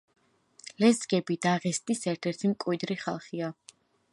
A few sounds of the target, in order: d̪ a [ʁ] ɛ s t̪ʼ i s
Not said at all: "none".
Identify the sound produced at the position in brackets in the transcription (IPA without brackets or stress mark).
ʁ